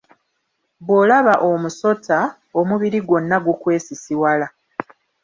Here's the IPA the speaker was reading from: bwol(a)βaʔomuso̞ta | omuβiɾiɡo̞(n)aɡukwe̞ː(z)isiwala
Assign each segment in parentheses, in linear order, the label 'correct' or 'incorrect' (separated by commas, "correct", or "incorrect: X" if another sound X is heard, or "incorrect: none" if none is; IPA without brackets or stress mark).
correct, incorrect: nː, incorrect: s